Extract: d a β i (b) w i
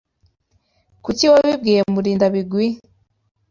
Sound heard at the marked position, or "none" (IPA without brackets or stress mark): ɡ